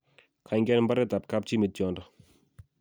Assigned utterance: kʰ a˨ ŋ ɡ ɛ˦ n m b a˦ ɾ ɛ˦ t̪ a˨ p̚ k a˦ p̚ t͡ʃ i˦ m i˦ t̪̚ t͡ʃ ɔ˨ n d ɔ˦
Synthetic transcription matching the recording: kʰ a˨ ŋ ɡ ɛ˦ n m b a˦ ɾ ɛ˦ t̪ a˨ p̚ k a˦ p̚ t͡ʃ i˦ m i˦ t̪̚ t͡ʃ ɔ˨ n d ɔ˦